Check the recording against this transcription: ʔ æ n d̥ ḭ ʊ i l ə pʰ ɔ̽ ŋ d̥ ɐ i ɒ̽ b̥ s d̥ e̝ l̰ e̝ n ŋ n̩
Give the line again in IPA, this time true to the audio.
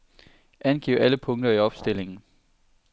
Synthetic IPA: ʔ æ n ɡ̥ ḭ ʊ æ l ə pʰ ɔ̽ ŋ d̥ ɐ i ɒ̽ b̥ s d̥ e̝ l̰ e̝ ŋ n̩

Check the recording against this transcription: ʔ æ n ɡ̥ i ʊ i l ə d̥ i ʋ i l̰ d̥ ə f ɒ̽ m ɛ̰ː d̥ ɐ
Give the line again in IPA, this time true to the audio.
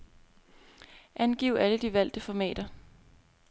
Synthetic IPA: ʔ æ n ɡ̥ i ʊ æ l ə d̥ i ʋ æ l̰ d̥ ə f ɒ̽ m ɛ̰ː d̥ ɐ

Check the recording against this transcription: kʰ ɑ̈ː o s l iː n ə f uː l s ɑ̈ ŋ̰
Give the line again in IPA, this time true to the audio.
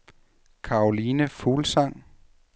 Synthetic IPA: kʰ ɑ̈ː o l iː n ə f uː l s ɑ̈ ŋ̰

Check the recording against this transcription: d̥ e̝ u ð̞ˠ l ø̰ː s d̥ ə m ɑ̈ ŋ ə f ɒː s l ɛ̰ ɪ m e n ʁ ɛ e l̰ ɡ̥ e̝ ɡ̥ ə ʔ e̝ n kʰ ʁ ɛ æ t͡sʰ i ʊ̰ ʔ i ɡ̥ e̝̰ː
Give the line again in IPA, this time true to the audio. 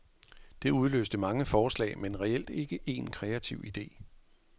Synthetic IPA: d̥ e̝ u ð̞ˠ l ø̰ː s d̥ ə m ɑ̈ ŋ ə f ɒː s l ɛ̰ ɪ m e n ʁ ɛ e l̰ d̥ e̝ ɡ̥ ə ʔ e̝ n kʰ ʁ ɛ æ t͡sʰ i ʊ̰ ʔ i d̥ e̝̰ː

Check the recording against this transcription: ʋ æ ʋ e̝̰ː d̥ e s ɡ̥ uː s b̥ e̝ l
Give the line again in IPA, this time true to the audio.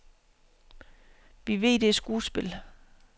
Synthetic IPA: ʋ i ʋ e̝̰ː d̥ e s ɡ̥ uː s b̥ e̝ l

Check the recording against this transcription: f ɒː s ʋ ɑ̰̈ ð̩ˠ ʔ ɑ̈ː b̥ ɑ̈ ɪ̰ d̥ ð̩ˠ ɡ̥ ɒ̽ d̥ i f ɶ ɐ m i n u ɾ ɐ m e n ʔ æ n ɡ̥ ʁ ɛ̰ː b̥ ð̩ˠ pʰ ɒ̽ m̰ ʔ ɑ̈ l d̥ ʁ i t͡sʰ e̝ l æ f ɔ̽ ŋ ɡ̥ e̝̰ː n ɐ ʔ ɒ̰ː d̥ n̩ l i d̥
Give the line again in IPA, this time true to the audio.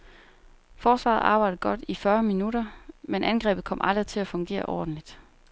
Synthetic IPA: f ɒː s ʋ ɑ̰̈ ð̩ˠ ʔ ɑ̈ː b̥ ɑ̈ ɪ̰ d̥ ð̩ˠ ɡ̥ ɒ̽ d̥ i f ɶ ɐ m i n u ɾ ɐ m e n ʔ æ n ɡ̥ ʁ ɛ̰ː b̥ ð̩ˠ kʰ ɒ̽ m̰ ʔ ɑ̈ l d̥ ʁ i t͡sʰ e̝ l æ f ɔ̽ ŋ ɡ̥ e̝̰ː ɐ ʔ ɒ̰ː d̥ n̩ l i d̥

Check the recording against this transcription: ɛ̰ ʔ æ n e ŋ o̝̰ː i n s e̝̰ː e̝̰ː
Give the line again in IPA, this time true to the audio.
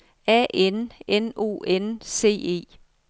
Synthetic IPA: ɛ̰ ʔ e n e n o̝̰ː e n s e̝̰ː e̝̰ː

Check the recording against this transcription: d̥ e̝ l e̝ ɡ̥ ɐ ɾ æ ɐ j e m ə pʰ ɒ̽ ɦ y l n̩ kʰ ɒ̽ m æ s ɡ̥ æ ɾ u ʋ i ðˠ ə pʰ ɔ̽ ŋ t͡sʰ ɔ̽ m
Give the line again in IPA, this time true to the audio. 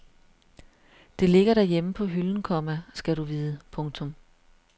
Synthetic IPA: d̥ e̝ l e̝ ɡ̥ ɐ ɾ æ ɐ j e m ə pʰ ɒ̽ ɦ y l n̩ kʰ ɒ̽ m æ s ɡ̥ æ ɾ u ʋ iː ðˠ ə pʰ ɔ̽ ŋ t͡sʰ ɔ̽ m

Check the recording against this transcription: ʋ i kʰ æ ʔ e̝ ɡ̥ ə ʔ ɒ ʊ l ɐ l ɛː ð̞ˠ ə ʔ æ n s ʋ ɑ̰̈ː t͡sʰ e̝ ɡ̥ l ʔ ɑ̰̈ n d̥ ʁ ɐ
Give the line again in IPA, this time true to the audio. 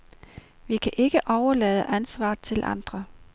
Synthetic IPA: ʋ i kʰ æ ʔ e̝ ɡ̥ ə ʔ ɒ ʊ ɐ l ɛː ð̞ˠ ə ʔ æ n s ʋ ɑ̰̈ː t͡sʰ e̝ l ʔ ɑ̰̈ n d̥ ʁ ɐ

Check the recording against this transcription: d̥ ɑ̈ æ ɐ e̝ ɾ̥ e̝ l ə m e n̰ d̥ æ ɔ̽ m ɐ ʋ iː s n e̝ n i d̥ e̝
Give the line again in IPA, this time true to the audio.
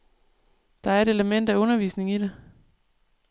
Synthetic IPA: d̥ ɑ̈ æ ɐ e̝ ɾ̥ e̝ l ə m e n̰ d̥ æ ɔ̽ n ɐ ʋ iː s n e̝ ŋ i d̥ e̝

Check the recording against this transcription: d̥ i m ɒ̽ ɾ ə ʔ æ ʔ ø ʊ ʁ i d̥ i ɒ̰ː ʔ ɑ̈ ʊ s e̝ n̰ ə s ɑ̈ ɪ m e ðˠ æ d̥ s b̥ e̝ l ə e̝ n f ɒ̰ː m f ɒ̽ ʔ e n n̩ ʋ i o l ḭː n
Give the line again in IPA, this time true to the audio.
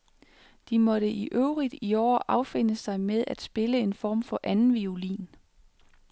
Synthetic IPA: d̥ i m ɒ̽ ɾ ə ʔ i ʔ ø ʊ ʁ i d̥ i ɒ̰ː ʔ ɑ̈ ʊ f e̝ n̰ ə s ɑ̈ ɪ m e ðˠ æ d̥ s b̥ e̝ l ə e̝ n f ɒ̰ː m f ɒ̽ ʔ æ n n̩ ʋ i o l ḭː n

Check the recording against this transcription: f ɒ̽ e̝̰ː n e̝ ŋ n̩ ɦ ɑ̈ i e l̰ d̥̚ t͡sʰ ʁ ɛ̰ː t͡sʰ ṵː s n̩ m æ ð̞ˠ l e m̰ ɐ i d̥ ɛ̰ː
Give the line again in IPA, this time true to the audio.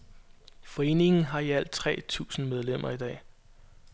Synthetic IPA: f ɒ̽ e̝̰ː n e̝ ŋ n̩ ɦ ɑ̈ i æ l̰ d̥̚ t͡sʰ ʁ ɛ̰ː t͡sʰ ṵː s n̩ m e ð̞ˠ l e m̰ ɐ i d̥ ɛ̰ː

